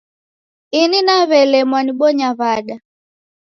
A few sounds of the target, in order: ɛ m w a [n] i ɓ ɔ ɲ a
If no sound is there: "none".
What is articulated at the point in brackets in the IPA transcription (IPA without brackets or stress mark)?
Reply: n